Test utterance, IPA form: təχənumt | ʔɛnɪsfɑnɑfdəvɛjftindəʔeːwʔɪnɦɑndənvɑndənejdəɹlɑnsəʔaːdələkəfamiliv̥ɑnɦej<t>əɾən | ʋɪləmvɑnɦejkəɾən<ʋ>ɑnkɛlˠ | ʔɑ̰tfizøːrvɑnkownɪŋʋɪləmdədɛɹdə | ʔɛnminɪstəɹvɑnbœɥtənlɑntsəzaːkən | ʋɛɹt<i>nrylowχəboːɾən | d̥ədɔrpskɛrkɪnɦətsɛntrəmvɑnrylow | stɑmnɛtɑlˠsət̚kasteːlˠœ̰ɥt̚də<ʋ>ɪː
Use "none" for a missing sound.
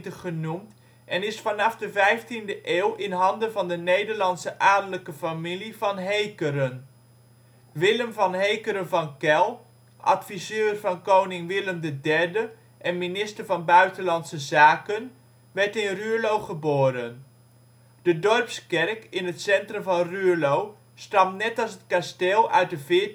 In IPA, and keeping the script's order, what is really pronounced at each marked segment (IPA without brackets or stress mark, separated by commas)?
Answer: k, v, ɪ, v